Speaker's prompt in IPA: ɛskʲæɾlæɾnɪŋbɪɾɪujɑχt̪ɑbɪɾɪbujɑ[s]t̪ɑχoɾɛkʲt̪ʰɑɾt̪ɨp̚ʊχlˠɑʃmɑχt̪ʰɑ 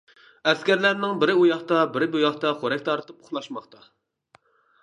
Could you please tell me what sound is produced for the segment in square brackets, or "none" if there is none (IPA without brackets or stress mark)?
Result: χ